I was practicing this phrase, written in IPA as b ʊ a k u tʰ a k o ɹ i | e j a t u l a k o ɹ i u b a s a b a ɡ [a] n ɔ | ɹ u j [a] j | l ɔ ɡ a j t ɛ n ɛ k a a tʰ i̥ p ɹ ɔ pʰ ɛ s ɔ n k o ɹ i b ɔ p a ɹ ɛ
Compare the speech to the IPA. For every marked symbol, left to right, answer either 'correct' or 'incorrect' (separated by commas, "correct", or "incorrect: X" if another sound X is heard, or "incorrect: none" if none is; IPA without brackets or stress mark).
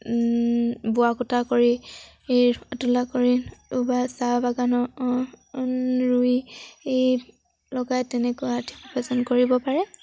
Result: correct, incorrect: e